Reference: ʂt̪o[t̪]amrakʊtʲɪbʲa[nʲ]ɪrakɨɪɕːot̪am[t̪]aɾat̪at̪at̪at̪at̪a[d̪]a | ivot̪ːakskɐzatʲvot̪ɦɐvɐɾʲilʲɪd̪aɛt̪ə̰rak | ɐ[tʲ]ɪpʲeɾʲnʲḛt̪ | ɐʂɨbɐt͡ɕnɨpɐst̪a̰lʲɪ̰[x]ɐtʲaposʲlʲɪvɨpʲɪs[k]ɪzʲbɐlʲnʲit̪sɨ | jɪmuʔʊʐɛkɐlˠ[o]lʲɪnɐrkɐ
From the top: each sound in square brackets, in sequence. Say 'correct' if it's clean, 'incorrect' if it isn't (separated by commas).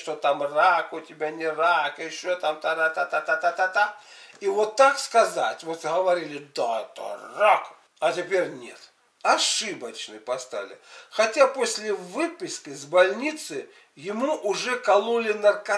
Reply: correct, correct, correct, incorrect, correct, correct, correct, incorrect